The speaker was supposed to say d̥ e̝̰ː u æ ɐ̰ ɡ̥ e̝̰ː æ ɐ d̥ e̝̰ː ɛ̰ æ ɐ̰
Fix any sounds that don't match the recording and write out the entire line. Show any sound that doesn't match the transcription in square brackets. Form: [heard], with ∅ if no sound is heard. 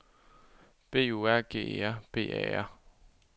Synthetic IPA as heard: [b̥] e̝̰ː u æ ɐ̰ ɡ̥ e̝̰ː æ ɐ [b̥] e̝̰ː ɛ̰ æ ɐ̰